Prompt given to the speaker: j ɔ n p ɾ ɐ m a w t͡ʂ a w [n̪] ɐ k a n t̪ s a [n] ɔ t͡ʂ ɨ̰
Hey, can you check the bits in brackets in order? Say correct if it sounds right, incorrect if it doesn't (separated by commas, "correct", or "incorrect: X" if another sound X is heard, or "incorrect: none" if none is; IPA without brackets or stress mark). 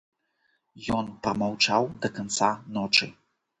incorrect: d̪, correct